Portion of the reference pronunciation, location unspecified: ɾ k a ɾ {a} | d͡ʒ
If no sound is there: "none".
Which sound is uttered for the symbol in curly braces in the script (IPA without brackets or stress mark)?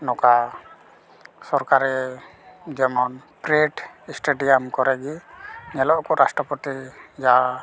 ɛ